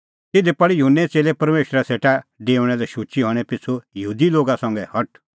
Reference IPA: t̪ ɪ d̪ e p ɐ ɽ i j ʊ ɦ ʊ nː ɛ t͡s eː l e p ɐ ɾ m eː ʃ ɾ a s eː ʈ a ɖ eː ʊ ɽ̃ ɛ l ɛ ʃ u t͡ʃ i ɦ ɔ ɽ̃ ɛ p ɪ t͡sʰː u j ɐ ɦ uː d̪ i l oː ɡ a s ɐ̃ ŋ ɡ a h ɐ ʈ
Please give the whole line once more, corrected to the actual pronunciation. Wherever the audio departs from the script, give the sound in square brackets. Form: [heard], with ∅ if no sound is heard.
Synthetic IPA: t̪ ɪ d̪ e p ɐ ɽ i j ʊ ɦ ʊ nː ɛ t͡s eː l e p ɐ ɾ m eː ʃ ɾ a s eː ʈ a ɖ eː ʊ ɽ̃ ɛ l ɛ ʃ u t͡ʃ i ɦ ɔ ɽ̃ ɛ p ɪ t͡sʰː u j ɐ ɦ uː d̪ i l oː ɡ a s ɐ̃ ŋ ɡ [ɛ] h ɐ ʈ